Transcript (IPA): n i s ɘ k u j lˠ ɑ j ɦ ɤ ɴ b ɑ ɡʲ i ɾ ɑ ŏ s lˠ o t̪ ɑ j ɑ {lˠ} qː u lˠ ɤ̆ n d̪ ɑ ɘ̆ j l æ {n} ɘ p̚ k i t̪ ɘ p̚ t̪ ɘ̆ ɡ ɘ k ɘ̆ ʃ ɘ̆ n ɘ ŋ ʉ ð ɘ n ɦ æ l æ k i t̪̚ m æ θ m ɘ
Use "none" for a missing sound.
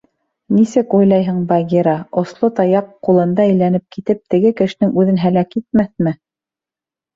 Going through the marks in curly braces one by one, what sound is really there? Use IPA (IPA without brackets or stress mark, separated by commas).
none, n